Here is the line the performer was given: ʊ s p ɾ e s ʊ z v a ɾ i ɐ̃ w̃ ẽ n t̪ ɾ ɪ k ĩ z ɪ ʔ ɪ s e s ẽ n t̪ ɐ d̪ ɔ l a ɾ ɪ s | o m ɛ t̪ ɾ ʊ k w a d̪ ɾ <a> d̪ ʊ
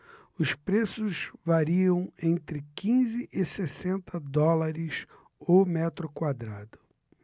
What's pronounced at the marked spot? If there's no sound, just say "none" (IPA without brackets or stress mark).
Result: a